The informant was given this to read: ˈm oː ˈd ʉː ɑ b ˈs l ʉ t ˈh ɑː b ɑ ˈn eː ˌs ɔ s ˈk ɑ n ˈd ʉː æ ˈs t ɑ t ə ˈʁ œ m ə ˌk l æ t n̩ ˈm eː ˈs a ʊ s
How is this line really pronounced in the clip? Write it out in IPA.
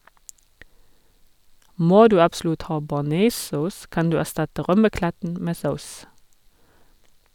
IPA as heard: ˈm oː ˈd ʉː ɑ b ˈs l ʉ t ˈh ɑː b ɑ ˈn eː ˌs ɔ s ˈk ɑ n ˈd ʉː æ ˈs t ɑ t ə ˈʁ œ m ə ˌk l æ t n̩ ˈm eː ˈs a ʊ s

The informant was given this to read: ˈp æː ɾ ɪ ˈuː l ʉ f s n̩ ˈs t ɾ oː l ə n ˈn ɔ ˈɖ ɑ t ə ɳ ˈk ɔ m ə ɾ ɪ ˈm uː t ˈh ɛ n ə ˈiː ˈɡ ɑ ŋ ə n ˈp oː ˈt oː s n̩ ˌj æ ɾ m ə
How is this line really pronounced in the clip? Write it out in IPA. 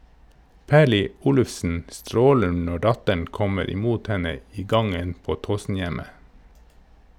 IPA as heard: ˈp æː ɭ ɪ ˈuː l ʉ f s n̩ ˈs t ɾ oː l ə n ˈn ɔ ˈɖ ɑ t ə ɳ ˈk ɔ m ə ɾ ɪ ˈm uː t ˈh ɛ n ə ˈiː ˈɡ ɑ ŋ ə n ˈp oː ˈt oː s n̩ ˌj æ m ə

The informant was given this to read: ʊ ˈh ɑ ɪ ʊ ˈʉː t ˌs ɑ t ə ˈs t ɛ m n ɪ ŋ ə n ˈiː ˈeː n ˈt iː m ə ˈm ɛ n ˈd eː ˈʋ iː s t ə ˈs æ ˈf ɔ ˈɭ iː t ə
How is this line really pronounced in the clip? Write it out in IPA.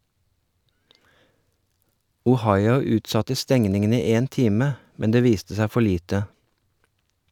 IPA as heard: ʊ ˈh ɑ ɪ ʊ ˈʉː t ˌs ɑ t ə ˈs t ɛ ŋ n ɪ ŋ ə n ˈiː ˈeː n ˈt iː m ə ˈm ɛ n ˈd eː ˈʋ iː s t ə ˈs æ ˈf ɔ ˈɭ iː t ə

